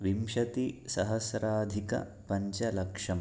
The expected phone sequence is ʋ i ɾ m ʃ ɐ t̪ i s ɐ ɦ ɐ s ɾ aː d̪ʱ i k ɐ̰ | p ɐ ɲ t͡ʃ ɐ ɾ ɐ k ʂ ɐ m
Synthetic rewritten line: ʋ i m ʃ ɐ t̪ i s ɐ ɦ ɐ s ɾ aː d̪ʱ i k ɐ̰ | p ɐ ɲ t͡ʃ ɐ l ɐ k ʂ ɐ m